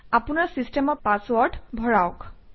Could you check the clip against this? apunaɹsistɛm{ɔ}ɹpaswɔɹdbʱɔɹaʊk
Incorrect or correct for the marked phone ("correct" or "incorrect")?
correct